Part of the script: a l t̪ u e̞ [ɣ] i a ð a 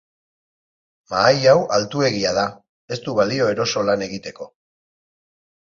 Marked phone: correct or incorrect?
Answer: correct